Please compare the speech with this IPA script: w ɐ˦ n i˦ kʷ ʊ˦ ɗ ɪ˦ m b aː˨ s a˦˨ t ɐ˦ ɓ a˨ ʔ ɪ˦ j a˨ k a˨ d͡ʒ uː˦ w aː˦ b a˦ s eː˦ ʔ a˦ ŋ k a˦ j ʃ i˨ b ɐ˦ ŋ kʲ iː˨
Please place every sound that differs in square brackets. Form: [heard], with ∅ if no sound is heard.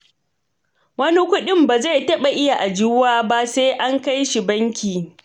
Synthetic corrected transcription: w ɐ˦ n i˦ kʷ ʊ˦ ɗ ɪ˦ m b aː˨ [z] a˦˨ t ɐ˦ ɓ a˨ ʔ ɪ˦ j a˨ [ʔ] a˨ d͡ʒ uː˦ w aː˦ b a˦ s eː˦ ʔ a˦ ŋ k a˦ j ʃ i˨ b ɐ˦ ŋ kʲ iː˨